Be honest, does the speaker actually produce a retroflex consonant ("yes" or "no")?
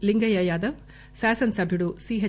yes